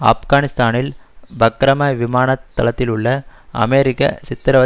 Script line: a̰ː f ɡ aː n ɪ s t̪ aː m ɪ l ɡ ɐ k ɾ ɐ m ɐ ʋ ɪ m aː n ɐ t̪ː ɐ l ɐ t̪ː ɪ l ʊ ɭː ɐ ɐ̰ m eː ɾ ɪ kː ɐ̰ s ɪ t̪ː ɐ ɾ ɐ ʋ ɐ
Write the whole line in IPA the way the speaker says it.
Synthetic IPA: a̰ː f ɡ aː n ɪ s t̪ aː n ɪ l b ɐ k ɾ ɐ m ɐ ʋ ɪ m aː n ɐ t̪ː ɐ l ɐ t̪ː ɪ l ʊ ɭː ɐ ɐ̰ m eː ɾ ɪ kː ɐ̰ s ɪ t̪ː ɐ ɾ ɐ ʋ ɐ